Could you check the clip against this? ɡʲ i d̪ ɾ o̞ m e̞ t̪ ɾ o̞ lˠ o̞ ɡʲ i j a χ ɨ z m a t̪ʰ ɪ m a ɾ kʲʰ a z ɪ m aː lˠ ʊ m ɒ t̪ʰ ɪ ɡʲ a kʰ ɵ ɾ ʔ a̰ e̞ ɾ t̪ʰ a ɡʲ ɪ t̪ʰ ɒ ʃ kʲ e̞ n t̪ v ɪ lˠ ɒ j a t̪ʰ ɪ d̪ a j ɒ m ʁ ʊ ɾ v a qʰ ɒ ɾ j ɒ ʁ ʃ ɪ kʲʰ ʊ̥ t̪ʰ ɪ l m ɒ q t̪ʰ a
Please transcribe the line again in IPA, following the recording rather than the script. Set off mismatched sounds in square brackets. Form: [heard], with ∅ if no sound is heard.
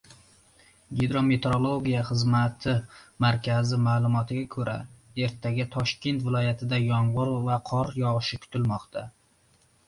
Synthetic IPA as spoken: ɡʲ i d̪ ɾ o̞ m e̞ t̪ ɾ o̞ lˠ o̞ ɡʲ i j a χ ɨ z m a t̪ʰ ɪ m a ɾ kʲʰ a z ɪ m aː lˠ ʊ m ɒ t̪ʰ ɪ ɡʲ a kʰ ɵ ɾ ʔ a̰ e̞ ɾ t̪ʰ a ɡʲ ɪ t̪ʰ ɒ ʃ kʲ e̞ n t̪ v ɪ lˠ ɒ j a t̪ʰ ɪ d̪ a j ɒ [ɴ] ʁ ʊ ɾ v a qʰ ɒ ɾ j ɒ ʁ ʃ ɪ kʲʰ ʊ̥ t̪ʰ ɪ l m ɒ q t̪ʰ a